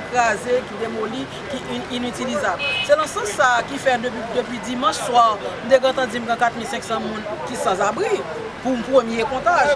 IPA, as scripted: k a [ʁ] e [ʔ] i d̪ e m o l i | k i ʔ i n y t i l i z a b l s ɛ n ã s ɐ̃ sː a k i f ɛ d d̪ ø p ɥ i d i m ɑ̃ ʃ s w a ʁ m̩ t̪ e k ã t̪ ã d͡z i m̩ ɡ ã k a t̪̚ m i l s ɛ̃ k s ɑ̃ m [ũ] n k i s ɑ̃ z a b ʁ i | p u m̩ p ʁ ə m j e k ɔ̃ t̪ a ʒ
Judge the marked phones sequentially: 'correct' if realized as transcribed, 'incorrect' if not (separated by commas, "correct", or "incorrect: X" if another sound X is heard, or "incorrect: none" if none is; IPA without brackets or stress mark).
incorrect: z, incorrect: k, correct